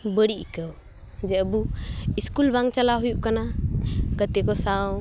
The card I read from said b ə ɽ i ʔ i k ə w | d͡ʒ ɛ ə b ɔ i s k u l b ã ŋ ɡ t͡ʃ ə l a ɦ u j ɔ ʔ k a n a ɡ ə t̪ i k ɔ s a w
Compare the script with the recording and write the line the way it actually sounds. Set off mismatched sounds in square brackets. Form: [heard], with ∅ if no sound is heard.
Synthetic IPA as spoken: b ə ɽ i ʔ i k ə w | d͡ʒ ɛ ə b [u] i s k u l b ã ŋ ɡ t͡ʃ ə l a ɦ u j [u] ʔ k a n a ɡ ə t̪ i k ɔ s a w